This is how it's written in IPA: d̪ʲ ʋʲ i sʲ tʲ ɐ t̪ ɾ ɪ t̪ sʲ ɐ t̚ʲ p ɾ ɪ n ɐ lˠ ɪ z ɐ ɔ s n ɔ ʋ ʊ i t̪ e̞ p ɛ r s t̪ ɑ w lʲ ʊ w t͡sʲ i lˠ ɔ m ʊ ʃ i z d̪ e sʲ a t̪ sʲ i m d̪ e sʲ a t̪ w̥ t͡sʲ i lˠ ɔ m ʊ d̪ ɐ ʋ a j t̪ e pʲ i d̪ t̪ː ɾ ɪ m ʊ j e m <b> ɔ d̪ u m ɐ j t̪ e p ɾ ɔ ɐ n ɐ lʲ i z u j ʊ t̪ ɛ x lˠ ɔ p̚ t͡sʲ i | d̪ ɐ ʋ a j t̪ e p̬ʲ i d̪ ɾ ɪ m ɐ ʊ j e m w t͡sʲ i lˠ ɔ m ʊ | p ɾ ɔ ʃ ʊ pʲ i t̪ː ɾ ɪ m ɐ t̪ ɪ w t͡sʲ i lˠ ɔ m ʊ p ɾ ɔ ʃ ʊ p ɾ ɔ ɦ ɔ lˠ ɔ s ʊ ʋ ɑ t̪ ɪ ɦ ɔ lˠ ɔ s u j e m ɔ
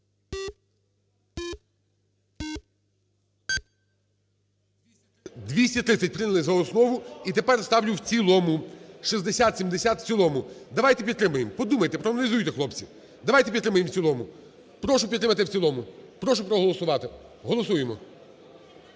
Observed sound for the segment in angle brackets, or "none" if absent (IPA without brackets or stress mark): p